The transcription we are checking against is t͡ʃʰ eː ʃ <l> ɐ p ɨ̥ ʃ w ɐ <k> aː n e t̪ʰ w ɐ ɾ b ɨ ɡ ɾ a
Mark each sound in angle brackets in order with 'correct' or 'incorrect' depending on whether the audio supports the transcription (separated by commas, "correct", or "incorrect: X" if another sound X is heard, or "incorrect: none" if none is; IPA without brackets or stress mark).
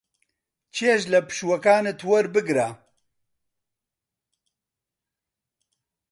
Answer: correct, correct